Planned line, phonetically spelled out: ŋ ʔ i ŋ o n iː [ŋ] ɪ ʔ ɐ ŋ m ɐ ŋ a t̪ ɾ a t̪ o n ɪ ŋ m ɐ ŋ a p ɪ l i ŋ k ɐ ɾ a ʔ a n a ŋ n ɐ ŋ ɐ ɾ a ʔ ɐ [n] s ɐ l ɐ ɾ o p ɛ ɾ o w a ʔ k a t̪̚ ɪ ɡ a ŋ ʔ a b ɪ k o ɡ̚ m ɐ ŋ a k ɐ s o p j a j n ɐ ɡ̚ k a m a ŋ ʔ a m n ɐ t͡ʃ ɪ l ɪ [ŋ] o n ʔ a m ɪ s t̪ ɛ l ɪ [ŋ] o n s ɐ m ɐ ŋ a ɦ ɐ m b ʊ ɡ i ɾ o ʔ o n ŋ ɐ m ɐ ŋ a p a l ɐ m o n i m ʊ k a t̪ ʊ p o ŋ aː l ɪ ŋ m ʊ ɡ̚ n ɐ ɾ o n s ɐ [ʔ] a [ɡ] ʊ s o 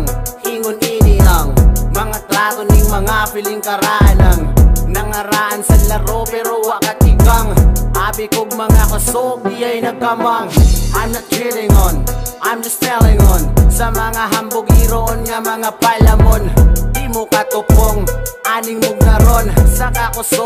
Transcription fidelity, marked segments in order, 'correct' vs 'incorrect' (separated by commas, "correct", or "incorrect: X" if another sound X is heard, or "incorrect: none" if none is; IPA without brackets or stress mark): incorrect: n, correct, correct, correct, incorrect: k, incorrect: k